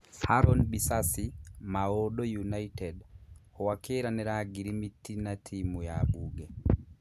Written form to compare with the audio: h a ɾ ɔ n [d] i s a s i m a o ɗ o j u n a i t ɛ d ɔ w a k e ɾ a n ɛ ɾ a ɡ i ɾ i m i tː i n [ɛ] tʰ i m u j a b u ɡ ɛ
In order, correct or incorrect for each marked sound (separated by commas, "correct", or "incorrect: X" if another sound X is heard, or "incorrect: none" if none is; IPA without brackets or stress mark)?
incorrect: b, incorrect: a